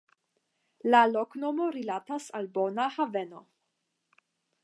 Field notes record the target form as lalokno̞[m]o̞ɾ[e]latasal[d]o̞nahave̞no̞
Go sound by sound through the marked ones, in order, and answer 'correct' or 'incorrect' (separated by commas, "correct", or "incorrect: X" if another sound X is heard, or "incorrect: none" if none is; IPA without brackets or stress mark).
correct, incorrect: i, incorrect: b